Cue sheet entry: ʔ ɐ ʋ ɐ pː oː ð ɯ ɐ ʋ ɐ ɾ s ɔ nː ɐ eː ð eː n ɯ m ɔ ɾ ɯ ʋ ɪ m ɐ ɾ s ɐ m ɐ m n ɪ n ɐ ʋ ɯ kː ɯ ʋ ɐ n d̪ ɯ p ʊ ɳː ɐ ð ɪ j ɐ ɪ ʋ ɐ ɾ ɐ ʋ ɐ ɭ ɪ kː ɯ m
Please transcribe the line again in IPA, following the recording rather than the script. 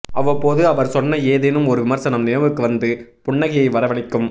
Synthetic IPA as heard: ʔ ɐ ʋ ɐ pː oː ð ɯ ɐ ʋ ɐ ɾ s ɔ nː ɐ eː ð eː n ɯ m ɔ ɾ ɯ ʋ ɪ m ɐ ɾ s ɐ n ɐ m n ɪ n ɐ ʋ ɯ kː ɯ ʋ ɐ n d̪ ɯ p ʊ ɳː ɐ ɣ ɪ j ɐ ɪ ʋ ɐ ɾ ɐ ʋ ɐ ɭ ɪ kː ɯ m